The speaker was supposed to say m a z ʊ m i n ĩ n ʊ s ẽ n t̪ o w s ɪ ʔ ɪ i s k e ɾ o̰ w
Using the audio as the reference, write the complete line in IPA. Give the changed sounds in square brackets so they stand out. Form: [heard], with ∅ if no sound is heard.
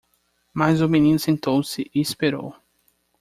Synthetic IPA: m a z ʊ m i n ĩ n ʊ s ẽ n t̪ o w s ɪ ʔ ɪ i s [p] e ɾ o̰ w